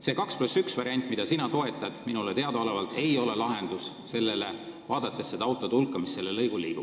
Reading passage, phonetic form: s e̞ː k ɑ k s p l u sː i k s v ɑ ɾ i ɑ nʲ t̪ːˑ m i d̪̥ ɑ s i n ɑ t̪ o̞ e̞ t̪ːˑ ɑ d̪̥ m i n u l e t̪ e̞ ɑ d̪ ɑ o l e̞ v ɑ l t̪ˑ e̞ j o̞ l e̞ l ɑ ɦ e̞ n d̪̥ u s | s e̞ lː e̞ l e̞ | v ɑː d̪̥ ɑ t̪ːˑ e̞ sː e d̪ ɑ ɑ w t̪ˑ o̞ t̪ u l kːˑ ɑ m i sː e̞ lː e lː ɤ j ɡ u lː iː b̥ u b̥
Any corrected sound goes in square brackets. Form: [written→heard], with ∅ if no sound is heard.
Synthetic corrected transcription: s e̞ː k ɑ k s p l u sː [i→y] k s v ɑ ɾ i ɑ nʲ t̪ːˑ m i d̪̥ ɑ s i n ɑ t̪ o̞ e̞ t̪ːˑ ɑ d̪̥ m i n u l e t̪ e̞ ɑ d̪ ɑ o l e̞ v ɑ l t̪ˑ e̞ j o̞ l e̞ l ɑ ɦ e̞ n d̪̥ u s | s e̞ lː e̞ l e̞ | v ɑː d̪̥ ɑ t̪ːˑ e̞ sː e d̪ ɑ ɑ w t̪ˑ o̞ t̪ u l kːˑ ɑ m i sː e̞ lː e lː ɤ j ɡ u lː iː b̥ u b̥